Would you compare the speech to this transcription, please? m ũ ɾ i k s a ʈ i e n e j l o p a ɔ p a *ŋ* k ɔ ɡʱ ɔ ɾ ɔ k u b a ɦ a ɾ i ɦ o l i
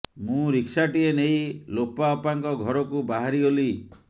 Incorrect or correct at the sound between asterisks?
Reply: correct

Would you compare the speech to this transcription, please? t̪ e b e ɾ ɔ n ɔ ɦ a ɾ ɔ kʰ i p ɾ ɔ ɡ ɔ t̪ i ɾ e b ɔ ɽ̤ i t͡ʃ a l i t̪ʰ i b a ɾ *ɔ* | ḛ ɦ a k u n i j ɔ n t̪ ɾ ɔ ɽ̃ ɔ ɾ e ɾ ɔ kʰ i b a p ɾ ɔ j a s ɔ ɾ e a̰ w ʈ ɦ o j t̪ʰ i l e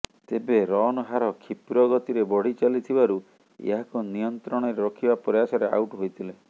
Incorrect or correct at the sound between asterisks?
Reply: incorrect: u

